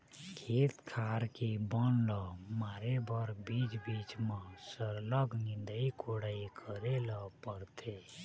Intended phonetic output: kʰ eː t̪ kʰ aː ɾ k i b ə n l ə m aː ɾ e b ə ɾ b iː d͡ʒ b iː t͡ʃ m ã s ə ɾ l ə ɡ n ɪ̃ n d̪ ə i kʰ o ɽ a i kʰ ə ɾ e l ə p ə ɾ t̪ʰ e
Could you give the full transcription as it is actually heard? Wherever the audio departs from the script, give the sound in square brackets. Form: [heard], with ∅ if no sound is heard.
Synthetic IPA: kʰ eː t̪ kʰ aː ɾ k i b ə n l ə m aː ɾ e b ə ɾ b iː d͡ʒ b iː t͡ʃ m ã s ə ɾ l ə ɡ n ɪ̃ n d̪ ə i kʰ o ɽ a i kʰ ə ɾ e l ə p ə ɾ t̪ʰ e